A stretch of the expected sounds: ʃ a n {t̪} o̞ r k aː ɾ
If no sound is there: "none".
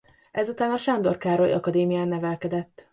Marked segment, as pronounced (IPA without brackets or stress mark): d̪